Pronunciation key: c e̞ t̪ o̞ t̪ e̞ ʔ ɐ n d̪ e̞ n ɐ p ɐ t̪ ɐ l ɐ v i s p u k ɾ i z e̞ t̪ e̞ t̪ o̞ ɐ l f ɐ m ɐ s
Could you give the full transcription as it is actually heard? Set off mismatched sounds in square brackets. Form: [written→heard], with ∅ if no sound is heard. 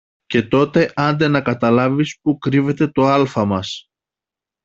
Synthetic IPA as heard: c e̞ t̪ o̞ t̪ e̞ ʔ ɐ n d̪ e̞ n ɐ [p→k] ɐ t̪ ɐ l ɐ v i s p u k ɾ i [z→v] e̞ t̪ e̞ t̪ o̞ ɐ l f ɐ m ɐ s